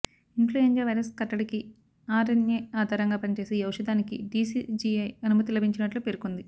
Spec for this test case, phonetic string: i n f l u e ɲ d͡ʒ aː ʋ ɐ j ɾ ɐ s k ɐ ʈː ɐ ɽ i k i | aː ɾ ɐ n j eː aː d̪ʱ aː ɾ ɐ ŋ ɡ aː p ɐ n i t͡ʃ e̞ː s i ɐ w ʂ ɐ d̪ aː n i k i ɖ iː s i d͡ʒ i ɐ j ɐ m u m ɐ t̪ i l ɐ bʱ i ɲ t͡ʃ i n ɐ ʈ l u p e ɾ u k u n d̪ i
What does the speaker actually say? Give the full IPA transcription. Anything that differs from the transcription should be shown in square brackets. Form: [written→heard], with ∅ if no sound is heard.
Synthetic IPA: i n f l u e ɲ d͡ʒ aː ʋ ɐ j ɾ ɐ s k ɐ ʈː ɐ ɽ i k i | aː ɾ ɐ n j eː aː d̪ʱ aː ɾ ɐ ŋ ɡ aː p ɐ n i t͡ʃ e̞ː s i ɐ w ʂ ɐ d̪ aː n i k i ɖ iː s i d͡ʒ i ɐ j ɐ [m→n] u m ɐ t̪ i l ɐ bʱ i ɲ t͡ʃ i n ɐ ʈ l u p e ɾ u k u n d̪ i